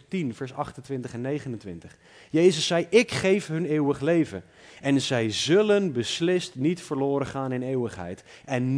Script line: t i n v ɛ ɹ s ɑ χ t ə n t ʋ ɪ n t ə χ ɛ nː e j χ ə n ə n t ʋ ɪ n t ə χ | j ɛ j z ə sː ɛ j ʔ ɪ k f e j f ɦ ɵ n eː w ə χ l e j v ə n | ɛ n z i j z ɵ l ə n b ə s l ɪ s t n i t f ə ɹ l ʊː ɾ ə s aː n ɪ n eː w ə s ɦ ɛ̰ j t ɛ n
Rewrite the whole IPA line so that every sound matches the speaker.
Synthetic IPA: t i n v ɛ ɹ s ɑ χ t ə n t ʋ ɪ n t ə χ ɛ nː e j χ ə n ə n t ʋ ɪ n t ə χ | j e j z ə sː ɛ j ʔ ɪ k χ e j f ɦ ɵ n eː w ə χ l e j v ə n | ɛ n z ɛ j z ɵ l ə n b ə s l ɪ s t n i t f ə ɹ l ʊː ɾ ə χ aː n ɪ n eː w ə χ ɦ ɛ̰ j t ɛ n